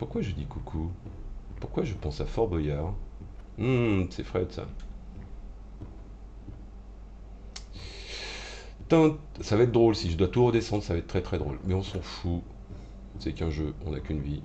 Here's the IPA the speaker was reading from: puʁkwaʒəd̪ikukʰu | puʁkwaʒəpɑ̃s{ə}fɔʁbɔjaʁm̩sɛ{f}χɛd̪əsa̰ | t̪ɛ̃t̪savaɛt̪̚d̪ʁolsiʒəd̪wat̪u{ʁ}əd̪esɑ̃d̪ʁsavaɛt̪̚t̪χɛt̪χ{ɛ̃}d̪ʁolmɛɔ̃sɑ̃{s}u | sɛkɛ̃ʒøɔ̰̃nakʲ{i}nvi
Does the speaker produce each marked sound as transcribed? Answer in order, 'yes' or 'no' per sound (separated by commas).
no, yes, yes, no, no, no